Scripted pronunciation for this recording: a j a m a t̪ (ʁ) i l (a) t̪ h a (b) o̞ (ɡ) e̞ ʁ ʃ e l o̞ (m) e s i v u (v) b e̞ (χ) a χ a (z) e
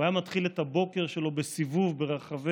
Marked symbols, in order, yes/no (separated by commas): no, no, yes, no, no, yes, no, no